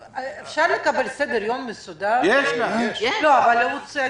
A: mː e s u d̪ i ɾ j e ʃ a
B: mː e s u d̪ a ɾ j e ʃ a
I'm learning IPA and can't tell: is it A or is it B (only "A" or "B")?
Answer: B